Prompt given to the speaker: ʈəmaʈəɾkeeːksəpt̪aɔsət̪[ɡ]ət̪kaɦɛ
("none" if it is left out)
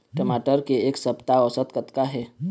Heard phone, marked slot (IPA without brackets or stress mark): k